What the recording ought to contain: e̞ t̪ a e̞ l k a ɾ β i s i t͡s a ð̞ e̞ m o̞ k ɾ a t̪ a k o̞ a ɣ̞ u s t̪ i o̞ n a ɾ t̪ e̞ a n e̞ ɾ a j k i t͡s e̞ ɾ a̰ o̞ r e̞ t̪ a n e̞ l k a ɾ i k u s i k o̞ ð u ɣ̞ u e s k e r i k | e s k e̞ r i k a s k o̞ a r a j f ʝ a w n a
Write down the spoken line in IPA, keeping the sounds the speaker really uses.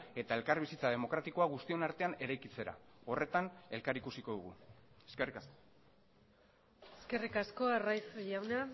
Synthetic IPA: e̞ t̪ a e̞ l k a ɾ β i s i t͡s a ð̞ e̞ m o̞ k ɾ a t̪ i k o̞ a ɣ̞ u s t̪ i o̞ n a ɾ t̪ e̞ a n e̞ ɾ a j k i t͡s e̞ ɾ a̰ o̞ r e̞ t̪ a n e̞ l k a ɾ i k u s i k o̞ ð u ɣ̞ u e s k e r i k | e s k e̞ r i k a s k o̞ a r a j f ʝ a w n a